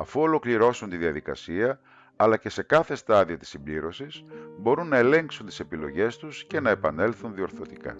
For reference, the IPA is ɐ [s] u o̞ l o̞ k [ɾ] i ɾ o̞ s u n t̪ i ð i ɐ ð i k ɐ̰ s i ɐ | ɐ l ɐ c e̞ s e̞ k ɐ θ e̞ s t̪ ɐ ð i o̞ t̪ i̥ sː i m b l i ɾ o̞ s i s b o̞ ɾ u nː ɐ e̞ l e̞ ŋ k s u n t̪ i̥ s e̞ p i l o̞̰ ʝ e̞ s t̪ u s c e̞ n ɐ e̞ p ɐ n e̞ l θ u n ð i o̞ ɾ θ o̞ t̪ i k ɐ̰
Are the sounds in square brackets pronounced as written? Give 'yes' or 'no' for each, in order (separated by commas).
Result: no, no